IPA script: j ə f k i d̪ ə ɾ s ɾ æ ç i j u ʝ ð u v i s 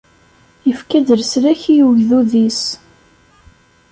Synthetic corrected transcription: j ə f k æ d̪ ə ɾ s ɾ æ ç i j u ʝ ð u ð i s